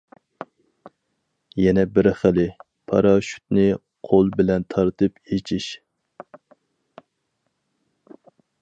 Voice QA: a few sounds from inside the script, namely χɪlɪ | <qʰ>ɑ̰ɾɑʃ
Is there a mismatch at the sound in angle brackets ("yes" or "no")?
yes